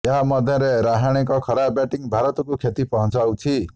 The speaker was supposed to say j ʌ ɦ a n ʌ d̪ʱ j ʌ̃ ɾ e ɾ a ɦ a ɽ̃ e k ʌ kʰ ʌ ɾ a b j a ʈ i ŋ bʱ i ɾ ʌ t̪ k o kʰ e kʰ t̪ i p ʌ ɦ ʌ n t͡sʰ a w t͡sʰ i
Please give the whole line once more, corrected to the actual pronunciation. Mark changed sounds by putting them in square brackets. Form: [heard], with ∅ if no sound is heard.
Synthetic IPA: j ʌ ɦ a [m] ʌ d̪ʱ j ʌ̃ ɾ e ɾ a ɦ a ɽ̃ e k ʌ kʰ ʌ ɾ a b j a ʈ i ŋ bʱ [a] ɾ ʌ t̪ k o kʰ e [∅] t̪ i p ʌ ɦ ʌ n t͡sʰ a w t͡sʰ i